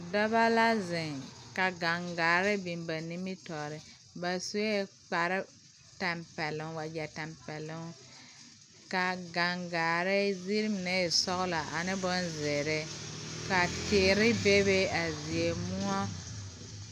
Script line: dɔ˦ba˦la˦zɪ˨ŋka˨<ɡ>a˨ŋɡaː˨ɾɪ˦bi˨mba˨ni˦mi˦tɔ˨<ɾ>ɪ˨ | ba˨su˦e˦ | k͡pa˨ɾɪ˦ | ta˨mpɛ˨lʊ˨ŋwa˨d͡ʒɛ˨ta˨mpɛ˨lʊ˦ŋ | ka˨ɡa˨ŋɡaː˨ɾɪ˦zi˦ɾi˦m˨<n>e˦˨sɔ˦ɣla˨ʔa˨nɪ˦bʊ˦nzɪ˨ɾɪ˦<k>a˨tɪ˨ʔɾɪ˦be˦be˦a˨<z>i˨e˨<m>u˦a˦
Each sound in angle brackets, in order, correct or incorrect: correct, correct, correct, correct, correct, correct

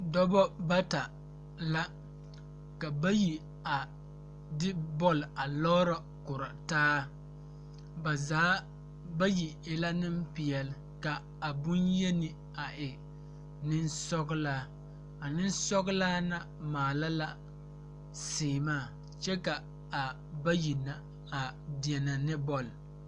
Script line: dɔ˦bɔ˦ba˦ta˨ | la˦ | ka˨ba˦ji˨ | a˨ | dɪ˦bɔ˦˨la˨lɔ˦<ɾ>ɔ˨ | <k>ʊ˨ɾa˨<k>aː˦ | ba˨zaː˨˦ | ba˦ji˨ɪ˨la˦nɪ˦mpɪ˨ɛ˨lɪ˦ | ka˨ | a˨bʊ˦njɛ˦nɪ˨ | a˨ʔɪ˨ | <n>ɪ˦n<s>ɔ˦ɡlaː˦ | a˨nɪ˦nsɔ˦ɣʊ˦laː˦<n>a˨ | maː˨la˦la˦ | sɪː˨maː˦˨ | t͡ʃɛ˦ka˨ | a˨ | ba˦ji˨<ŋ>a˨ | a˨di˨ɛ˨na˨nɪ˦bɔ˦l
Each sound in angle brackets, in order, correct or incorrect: correct, correct, incorrect: t, correct, correct, correct, incorrect: n

